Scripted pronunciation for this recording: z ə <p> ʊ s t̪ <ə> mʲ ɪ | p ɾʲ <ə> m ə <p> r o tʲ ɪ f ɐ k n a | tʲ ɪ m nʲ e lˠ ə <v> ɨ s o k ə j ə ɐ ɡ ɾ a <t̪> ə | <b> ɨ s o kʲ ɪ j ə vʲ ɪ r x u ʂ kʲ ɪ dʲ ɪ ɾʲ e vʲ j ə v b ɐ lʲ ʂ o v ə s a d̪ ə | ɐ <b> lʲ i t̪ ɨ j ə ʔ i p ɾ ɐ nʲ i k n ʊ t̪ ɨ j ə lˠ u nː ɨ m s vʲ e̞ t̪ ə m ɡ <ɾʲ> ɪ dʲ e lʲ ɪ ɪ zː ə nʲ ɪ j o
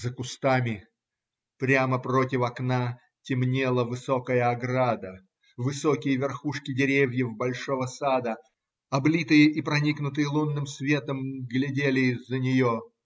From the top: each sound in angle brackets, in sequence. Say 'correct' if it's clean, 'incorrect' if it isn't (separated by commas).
incorrect, incorrect, incorrect, correct, correct, incorrect, incorrect, correct, incorrect